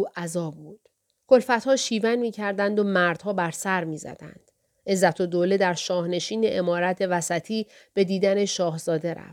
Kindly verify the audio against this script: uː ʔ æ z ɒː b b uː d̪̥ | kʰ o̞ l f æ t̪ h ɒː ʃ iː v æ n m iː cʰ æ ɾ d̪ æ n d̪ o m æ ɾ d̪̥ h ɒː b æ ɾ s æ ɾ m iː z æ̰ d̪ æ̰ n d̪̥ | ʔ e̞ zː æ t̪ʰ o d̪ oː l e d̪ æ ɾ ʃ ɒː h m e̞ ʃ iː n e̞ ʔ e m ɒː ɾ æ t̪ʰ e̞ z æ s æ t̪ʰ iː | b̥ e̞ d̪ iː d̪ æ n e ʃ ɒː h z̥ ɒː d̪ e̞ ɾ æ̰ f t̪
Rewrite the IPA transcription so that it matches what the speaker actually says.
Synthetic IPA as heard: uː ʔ æ z ɒː b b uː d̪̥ | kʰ o̞ l f æ t̪ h ɒː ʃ iː v æ n m iː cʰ æ ɾ d̪ æ n d̪ o m æ ɾ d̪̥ h ɒː b æ ɾ s æ ɾ m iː z æ̰ d̪ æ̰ n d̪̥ | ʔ e̞ zː æ t̪ʰ o d̪ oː l e d̪ æ ɾ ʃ ɒː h n e̞ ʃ iː n e̞ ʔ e m ɒː ɾ æ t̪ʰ e̞ v æ s æ t̪ʰ iː | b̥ e̞ d̪ iː d̪ æ n e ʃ ɒː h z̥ ɒː d̪ e̞ ɾ æ̰ f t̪